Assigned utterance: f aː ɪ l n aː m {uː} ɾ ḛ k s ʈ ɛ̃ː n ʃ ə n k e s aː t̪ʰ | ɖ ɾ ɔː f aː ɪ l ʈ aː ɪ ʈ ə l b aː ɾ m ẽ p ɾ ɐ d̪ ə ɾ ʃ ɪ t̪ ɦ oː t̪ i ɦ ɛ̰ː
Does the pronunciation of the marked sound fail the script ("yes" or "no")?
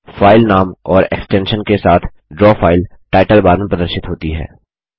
yes